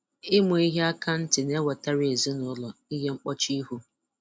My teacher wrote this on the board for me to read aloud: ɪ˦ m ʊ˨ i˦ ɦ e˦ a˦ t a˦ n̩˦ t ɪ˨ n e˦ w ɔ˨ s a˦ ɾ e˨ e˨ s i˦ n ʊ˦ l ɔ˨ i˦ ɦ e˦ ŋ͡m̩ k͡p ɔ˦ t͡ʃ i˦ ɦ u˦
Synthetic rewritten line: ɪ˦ m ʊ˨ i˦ ɦ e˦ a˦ k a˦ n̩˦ t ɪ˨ n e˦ w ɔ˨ t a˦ ɾ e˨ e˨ z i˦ n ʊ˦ l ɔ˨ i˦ ɦ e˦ ŋ͡m̩ k͡p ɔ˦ t͡ʃ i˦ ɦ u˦